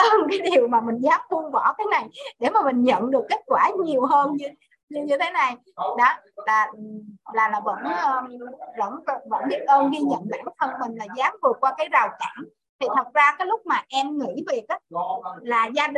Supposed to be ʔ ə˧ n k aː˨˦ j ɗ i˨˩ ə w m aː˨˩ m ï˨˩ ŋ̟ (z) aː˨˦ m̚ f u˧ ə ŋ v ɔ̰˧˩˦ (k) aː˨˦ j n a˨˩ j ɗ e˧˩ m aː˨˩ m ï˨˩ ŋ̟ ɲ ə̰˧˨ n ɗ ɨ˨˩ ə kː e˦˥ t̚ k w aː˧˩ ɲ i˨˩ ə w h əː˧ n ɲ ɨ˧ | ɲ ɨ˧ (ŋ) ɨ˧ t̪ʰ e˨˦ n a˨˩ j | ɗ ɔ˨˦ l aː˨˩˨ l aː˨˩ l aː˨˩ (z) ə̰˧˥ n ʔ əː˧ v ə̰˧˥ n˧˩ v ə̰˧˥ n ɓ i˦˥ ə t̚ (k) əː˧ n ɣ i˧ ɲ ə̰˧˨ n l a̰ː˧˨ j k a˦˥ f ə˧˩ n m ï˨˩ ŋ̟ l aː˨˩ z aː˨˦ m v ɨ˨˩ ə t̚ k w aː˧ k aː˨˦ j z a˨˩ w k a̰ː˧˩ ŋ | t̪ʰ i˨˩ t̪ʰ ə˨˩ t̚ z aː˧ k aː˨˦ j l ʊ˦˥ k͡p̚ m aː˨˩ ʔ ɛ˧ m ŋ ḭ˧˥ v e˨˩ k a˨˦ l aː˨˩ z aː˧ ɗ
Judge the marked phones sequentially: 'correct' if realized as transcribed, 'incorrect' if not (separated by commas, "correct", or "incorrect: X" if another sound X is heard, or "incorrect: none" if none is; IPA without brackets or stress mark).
correct, correct, incorrect: ɲ, incorrect: v, incorrect: ʔ